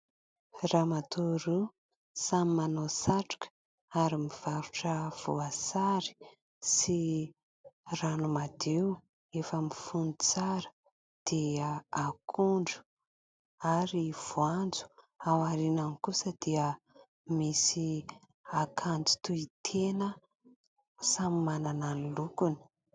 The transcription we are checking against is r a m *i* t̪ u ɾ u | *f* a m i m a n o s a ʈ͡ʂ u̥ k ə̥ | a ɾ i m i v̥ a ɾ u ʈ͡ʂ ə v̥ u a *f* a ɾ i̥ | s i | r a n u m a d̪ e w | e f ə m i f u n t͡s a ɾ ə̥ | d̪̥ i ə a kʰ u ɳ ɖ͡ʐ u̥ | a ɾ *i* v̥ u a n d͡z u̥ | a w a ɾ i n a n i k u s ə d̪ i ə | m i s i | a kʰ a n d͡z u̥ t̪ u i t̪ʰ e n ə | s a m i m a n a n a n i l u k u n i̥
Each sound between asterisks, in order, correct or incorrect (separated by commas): incorrect, incorrect, incorrect, correct